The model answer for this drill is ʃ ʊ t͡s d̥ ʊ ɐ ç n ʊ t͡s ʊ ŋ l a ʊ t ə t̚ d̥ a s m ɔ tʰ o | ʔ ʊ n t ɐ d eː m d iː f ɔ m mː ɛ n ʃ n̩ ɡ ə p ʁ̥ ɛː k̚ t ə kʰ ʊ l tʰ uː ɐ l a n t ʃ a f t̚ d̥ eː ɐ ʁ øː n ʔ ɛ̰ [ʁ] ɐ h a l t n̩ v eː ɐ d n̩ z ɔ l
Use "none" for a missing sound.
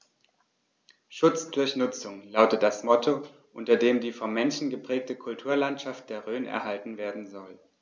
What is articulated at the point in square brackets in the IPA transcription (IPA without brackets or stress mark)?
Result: none